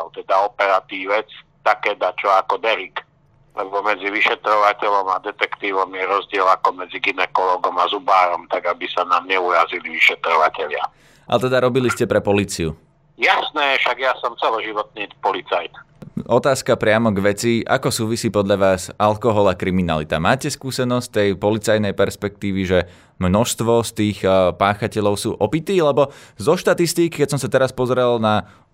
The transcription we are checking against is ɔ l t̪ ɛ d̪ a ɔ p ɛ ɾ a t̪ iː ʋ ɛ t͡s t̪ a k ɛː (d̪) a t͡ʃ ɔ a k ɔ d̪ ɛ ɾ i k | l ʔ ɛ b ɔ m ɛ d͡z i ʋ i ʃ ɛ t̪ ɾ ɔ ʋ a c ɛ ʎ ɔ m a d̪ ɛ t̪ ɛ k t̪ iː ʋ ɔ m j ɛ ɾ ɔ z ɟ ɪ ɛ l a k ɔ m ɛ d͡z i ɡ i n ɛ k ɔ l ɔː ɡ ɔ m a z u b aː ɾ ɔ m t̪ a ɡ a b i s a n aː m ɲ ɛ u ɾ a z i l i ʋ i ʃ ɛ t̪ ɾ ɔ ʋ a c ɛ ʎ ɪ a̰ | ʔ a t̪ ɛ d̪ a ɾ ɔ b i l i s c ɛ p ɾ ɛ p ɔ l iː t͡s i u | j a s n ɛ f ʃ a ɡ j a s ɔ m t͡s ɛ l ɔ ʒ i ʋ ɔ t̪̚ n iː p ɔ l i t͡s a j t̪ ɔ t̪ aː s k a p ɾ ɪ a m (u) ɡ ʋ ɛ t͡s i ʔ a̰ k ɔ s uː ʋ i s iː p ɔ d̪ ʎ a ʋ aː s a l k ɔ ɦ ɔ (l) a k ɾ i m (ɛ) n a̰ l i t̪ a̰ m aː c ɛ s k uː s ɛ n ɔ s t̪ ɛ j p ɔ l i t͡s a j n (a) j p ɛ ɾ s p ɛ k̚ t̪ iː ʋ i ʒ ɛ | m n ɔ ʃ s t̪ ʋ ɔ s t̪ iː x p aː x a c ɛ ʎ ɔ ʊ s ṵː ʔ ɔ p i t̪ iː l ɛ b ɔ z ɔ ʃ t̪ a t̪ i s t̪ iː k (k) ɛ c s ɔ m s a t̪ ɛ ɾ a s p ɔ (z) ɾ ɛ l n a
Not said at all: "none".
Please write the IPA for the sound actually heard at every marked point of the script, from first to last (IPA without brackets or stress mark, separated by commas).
d̪, ɔ, l, i, ɛ, k, z